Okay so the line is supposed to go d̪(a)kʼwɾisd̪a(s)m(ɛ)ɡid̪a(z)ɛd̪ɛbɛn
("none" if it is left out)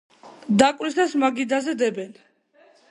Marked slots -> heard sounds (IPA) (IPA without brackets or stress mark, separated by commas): a, s, a, z